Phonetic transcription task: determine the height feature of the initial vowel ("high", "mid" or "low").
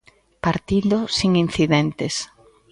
low